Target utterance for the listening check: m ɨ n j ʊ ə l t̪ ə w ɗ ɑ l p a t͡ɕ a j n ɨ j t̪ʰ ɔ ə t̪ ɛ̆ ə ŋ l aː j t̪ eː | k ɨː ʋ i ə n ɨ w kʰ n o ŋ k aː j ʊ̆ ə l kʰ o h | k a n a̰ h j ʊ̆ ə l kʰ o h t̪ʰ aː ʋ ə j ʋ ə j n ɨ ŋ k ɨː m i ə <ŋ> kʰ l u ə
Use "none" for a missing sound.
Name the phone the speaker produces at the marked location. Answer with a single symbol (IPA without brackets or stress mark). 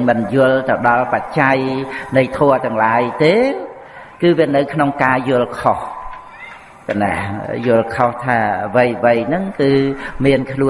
n